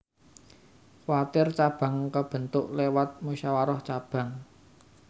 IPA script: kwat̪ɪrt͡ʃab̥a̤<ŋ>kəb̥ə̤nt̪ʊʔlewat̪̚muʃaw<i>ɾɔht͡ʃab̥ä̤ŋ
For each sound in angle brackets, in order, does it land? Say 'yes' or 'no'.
yes, no

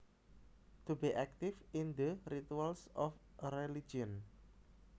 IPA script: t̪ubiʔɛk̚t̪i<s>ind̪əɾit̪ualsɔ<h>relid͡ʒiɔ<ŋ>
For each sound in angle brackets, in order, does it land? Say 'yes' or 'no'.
no, no, no

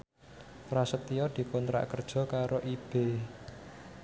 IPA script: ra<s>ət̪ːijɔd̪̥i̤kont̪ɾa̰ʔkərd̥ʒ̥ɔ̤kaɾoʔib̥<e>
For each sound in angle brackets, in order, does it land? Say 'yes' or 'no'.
yes, yes

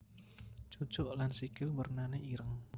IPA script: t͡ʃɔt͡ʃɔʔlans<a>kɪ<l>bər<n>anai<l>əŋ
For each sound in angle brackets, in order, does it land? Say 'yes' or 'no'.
no, yes, yes, no

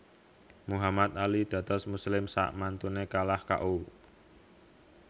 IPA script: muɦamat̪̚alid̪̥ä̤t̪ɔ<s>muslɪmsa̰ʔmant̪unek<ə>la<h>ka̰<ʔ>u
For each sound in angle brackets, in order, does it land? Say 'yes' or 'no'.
yes, no, yes, yes

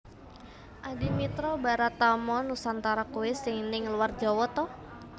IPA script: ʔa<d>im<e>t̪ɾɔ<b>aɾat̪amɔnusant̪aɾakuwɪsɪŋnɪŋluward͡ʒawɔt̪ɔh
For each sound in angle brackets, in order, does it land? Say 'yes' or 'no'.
yes, no, yes

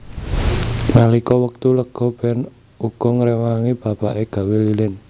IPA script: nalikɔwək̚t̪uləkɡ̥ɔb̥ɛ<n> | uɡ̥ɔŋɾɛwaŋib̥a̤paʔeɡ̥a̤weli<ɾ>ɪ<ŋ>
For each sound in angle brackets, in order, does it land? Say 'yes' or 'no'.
yes, no, no

